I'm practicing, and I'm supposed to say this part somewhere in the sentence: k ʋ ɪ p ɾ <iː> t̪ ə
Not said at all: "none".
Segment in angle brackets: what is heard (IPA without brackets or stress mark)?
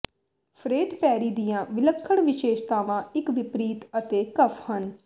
iː